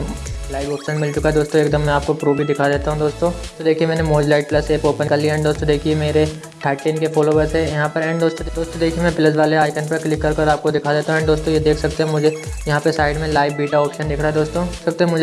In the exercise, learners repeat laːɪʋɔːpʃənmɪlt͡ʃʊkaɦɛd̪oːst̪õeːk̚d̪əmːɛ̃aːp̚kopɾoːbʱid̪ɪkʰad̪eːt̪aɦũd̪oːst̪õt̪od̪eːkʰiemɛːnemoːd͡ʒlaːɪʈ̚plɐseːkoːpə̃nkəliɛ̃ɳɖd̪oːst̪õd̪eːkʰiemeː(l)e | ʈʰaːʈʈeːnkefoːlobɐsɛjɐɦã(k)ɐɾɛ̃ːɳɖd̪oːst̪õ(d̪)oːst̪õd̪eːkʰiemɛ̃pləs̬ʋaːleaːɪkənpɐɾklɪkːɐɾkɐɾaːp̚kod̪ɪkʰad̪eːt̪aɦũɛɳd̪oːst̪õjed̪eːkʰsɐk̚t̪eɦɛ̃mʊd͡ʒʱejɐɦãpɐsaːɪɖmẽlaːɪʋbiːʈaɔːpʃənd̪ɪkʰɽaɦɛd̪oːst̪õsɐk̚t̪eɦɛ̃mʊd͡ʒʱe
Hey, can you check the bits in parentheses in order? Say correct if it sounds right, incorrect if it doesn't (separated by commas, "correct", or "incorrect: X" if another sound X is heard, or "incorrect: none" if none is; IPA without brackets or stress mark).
incorrect: ɾ, incorrect: p, correct